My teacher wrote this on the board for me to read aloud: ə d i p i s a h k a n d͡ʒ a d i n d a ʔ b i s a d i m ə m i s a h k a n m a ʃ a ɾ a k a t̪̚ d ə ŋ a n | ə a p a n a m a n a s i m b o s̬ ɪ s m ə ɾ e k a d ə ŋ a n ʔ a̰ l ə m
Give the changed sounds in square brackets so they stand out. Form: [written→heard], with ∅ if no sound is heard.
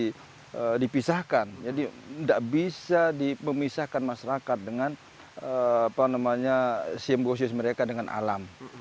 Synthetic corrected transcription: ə d i p i s a h k a n d͡ʒ a d i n d a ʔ b i s a d i m ə m i s a h k a n m a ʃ a ɾ a k a t̪̚ d ə ŋ a n | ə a p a n a m a [n→ɲ] a s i m b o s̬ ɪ s m ə ɾ e k a d ə ŋ a n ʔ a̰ l [ə→a] m